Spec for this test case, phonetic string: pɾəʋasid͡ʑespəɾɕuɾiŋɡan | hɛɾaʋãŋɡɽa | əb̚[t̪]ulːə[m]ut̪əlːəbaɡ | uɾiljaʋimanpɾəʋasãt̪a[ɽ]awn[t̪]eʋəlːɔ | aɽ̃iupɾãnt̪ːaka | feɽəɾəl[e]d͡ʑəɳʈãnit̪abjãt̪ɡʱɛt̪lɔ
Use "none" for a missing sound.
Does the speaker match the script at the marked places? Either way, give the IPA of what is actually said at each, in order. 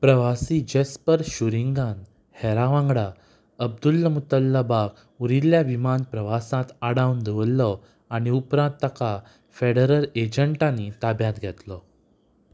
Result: d̪, m, ɽ, d̪, e

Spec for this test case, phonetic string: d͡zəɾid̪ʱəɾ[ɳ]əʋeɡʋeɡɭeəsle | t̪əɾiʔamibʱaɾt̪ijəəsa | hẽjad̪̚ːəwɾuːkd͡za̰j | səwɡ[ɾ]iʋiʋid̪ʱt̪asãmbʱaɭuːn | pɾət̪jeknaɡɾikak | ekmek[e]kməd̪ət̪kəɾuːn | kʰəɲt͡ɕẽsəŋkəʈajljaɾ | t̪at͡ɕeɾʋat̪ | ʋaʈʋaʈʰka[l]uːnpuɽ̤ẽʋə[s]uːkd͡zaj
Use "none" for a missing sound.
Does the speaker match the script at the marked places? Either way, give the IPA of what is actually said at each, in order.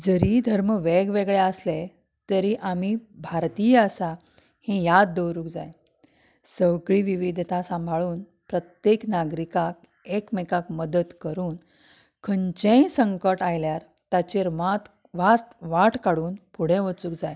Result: m, ɭ, a, ɽ, t͡s

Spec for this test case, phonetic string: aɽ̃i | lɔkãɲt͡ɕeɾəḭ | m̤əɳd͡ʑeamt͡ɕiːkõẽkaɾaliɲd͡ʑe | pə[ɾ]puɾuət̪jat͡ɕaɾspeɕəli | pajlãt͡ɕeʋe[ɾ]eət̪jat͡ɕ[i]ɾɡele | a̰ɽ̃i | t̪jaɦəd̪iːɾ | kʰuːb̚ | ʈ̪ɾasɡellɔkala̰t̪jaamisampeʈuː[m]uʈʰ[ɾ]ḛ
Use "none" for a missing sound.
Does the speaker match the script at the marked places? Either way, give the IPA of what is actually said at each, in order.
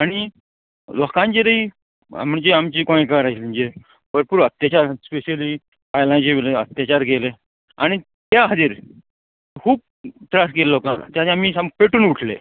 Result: ɾ, l, a, n, l

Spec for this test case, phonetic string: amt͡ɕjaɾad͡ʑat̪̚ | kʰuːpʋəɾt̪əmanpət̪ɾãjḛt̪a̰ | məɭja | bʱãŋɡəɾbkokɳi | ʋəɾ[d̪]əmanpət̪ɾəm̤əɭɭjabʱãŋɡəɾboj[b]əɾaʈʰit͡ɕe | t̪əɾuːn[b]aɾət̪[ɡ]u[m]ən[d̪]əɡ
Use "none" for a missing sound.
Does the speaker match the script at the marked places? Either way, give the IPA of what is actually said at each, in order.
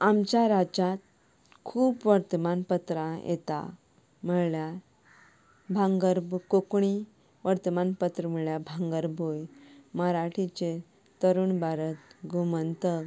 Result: t̪, m, b, ɡ, m, t̪

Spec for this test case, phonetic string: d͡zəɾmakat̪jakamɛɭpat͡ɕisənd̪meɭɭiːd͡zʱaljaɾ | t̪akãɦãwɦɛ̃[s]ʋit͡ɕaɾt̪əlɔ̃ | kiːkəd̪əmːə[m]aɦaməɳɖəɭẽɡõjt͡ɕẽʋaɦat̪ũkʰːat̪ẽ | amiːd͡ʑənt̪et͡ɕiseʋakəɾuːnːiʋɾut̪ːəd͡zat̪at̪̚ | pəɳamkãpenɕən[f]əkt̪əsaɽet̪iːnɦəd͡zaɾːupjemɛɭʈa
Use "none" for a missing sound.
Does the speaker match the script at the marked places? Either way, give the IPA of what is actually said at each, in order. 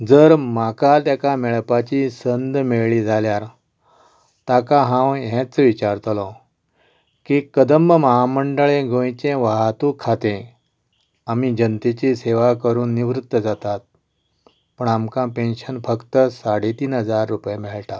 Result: t͡s, m, f

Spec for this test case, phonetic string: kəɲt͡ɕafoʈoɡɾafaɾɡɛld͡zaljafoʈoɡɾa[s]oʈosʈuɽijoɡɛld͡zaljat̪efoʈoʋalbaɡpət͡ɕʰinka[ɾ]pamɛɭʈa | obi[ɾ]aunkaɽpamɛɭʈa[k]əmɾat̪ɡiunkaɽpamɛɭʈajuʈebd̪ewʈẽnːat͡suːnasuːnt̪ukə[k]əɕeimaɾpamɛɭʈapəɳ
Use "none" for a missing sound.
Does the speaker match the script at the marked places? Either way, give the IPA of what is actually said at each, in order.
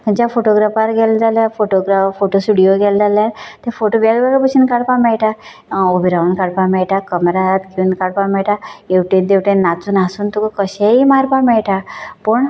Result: f, ɽ, ɾ, k, k

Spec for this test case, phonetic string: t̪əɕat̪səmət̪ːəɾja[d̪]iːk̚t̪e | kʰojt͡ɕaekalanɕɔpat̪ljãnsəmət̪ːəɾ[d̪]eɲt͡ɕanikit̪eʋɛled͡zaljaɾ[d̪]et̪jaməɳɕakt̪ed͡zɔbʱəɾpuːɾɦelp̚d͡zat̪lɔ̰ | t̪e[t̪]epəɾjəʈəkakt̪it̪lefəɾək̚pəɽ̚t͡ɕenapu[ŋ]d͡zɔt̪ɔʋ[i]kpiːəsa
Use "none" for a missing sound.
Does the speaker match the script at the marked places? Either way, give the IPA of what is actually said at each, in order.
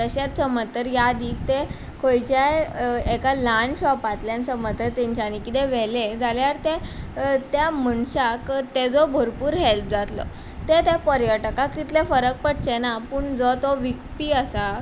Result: d̪, t̪, t̪, t̪, ɳ, i

